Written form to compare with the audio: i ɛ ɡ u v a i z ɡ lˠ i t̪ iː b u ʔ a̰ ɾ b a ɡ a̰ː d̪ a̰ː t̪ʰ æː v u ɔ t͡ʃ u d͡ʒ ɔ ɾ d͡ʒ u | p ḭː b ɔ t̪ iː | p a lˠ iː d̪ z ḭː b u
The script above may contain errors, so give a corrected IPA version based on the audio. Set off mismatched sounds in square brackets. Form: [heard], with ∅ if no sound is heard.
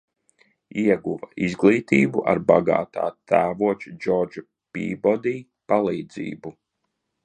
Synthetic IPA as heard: i ɛ ɡ u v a i z ɡ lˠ [iː] t̪ iː b u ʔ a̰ ɾ b a ɡ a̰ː [t̪] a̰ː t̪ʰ æː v u ɔ t͡ʃ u d͡ʒ ɔ ɾ d͡ʒ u | p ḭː b ɔ [d̪] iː | p a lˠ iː d̪ z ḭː b u